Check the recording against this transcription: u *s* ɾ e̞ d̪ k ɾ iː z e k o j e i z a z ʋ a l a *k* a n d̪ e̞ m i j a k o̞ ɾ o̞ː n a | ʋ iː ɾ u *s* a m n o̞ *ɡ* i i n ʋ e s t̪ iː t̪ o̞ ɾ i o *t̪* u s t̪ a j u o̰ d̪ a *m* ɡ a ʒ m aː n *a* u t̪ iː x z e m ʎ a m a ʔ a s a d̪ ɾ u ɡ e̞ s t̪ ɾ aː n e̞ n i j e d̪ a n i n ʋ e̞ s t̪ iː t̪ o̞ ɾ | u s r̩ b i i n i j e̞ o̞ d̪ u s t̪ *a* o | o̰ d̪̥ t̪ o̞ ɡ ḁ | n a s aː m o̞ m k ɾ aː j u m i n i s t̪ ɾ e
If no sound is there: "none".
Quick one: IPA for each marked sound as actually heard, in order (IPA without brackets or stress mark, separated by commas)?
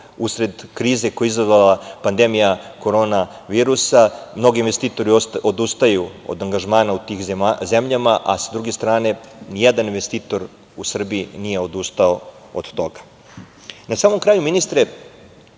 s, p, s, ɡ, d̪, ŋ, a, a